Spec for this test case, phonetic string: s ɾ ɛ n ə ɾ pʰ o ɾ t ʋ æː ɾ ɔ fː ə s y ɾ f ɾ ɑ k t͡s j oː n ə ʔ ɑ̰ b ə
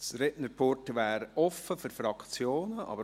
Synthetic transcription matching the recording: s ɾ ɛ n ə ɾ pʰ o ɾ t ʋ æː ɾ ɔ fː ə f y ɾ f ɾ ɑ k t͡s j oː n ə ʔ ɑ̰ b ə